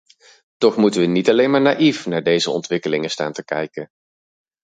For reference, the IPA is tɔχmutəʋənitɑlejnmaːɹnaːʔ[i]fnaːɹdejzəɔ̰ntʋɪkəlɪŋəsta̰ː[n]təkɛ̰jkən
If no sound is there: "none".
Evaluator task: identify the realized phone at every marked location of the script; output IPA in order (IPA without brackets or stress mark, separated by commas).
i, n